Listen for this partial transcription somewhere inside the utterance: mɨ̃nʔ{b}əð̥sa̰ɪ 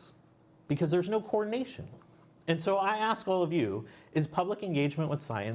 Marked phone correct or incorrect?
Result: incorrect